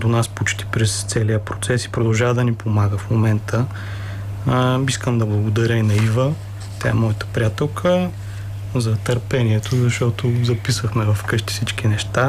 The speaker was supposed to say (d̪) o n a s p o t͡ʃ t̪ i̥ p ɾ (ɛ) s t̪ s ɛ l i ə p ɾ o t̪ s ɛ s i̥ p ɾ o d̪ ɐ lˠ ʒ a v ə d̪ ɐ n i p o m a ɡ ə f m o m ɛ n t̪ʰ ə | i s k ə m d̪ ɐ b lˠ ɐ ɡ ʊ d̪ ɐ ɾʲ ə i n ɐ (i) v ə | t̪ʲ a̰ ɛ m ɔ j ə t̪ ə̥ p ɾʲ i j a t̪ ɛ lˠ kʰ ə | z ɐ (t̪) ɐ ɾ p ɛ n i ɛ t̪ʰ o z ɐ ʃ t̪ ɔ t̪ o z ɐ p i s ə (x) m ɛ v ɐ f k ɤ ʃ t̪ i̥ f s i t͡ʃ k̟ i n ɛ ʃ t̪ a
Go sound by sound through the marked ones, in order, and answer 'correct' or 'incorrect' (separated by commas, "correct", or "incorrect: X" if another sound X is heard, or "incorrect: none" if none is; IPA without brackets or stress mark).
correct, correct, correct, correct, correct